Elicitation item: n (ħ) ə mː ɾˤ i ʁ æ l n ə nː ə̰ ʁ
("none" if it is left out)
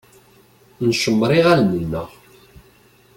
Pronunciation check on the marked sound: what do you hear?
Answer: ʃ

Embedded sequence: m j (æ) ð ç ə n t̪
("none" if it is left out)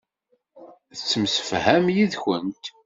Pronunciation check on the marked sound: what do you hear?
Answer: i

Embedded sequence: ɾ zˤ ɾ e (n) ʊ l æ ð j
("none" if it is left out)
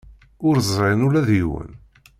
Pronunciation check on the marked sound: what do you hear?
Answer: n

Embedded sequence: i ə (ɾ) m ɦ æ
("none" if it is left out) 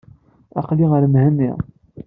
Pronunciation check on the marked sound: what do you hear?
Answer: ɾ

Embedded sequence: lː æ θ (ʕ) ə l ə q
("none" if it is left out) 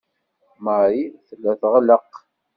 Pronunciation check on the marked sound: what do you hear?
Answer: ʁ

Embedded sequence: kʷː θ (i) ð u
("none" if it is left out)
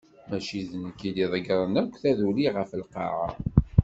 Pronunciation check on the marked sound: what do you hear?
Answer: æ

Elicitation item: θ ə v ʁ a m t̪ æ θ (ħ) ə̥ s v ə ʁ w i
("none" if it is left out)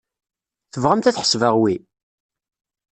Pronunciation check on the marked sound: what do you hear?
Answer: ħ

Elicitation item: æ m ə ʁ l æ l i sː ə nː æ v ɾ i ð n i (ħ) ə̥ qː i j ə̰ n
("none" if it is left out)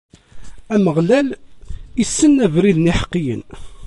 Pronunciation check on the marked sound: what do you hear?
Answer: ħ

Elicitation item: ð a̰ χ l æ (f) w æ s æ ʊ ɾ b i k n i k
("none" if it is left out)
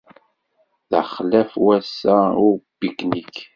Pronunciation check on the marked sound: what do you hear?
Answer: f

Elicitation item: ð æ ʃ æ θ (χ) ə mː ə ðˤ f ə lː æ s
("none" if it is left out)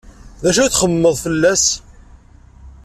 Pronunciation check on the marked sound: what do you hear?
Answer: χ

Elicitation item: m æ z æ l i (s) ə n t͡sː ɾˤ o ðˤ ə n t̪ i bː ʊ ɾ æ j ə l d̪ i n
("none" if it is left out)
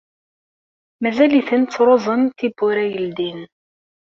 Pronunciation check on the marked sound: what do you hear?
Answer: θ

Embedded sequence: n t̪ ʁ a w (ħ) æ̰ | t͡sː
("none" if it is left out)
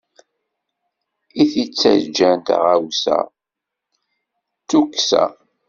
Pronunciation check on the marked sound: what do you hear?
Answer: s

